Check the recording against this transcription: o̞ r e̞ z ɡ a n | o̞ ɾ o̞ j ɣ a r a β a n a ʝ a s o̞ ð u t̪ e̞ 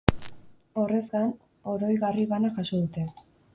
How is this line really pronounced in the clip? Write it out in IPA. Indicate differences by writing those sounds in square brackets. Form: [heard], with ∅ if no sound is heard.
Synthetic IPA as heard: o̞ r e̞ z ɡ a n | o̞ ɾ o̞ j ɣ a r [i] β a n a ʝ a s o̞ ð u t̪ e̞